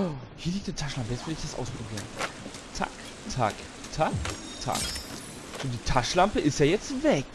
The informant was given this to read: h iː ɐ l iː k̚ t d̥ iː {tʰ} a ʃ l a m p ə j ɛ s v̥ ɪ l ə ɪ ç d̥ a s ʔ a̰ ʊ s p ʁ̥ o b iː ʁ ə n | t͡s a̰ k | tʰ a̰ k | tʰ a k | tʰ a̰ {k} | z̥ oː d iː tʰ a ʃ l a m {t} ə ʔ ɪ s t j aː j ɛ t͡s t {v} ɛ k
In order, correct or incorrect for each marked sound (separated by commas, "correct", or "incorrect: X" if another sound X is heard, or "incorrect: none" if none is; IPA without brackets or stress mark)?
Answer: correct, correct, incorrect: p, correct